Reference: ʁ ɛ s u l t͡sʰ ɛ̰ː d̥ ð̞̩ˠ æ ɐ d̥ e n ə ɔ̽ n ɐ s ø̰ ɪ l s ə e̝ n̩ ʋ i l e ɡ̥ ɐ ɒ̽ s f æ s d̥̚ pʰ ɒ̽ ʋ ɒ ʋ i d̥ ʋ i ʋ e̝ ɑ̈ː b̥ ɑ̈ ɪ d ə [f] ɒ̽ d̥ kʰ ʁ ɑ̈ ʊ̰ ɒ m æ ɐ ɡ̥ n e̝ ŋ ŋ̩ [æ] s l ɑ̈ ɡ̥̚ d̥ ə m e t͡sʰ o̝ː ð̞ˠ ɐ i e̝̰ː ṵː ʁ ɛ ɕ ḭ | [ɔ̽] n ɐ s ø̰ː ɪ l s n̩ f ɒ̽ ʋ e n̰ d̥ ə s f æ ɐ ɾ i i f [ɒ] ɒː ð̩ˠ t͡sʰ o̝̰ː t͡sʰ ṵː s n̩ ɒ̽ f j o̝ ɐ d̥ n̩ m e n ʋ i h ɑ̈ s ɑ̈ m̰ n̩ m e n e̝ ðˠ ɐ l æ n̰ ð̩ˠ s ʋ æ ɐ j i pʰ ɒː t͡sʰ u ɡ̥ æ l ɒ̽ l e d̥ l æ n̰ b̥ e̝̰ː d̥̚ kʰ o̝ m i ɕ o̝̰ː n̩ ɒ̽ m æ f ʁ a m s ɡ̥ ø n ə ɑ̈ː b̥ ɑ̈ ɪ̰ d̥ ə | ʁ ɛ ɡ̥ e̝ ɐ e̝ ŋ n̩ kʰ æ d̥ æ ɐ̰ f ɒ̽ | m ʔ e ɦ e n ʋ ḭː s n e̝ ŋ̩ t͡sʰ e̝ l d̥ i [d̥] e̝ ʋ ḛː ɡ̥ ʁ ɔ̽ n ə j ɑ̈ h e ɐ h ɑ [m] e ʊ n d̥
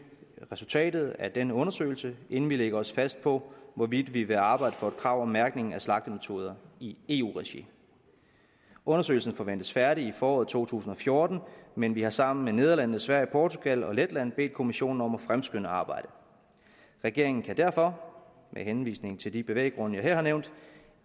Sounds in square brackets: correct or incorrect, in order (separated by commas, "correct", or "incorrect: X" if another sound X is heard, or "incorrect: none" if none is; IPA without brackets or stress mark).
correct, correct, correct, incorrect: ɒː, incorrect: b̥, incorrect: n